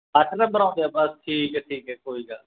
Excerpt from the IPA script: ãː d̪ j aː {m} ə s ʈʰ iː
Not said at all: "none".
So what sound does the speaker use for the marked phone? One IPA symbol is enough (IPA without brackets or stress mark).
b